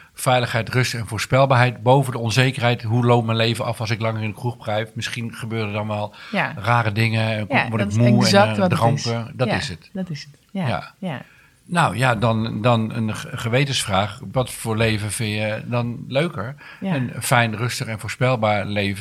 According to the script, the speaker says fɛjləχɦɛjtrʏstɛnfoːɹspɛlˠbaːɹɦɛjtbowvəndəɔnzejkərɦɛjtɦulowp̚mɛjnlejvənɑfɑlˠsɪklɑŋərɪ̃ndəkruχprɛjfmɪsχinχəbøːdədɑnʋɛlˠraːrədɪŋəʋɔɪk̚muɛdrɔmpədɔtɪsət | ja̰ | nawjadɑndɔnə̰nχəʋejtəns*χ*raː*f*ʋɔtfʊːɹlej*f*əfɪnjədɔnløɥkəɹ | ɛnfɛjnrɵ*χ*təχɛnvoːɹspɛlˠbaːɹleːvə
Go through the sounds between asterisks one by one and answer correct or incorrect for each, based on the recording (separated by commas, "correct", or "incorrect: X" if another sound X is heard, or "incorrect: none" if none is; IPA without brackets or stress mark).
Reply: incorrect: f, incorrect: χ, incorrect: v, incorrect: s